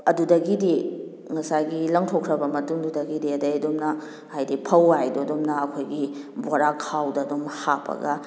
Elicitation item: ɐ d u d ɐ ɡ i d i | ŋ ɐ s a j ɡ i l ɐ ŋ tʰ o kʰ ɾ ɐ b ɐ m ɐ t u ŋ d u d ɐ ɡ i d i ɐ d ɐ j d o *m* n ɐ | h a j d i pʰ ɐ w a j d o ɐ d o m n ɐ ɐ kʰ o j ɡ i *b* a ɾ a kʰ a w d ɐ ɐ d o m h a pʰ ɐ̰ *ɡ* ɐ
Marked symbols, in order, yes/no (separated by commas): yes, yes, yes